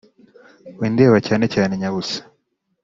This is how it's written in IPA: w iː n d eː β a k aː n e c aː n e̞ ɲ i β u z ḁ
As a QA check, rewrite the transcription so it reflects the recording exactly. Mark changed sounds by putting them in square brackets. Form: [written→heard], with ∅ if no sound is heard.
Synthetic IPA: w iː n d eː β a [k→c] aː n e c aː n e̞ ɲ [i→a] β u [z→s] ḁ